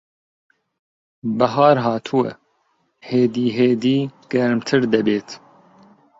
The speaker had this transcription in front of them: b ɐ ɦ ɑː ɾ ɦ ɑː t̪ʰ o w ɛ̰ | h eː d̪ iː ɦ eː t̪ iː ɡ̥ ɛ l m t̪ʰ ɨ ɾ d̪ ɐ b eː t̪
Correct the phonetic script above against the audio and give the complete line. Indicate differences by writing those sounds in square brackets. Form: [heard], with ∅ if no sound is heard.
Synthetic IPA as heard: b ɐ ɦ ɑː ɾ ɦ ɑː t̪ʰ [u] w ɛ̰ | h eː d̪ iː ɦ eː [d̪] iː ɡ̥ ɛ [ɾ] m t̪ʰ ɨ ɾ d̪ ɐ b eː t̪